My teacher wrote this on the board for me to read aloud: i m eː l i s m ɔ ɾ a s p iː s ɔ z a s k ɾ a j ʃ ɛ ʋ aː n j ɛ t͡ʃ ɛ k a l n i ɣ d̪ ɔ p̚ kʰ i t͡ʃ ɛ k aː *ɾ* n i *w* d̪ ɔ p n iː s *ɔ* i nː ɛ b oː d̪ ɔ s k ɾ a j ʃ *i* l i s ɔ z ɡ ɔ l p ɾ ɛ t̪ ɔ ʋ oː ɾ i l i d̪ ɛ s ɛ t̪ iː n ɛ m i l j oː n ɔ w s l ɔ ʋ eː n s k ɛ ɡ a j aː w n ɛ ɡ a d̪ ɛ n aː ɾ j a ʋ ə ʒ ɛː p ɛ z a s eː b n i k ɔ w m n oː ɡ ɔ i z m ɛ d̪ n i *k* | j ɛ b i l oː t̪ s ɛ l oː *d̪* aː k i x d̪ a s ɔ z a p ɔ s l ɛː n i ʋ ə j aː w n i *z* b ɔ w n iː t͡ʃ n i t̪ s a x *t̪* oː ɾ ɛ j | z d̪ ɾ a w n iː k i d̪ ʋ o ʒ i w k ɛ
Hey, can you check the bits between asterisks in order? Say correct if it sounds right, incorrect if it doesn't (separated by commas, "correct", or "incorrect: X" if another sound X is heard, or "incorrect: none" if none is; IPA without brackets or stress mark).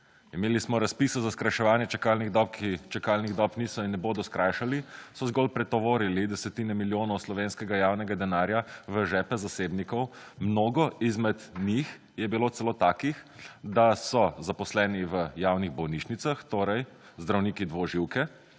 incorrect: l, incorrect: ɣ, correct, incorrect: a, incorrect: x, incorrect: t̪, incorrect: ɣ, correct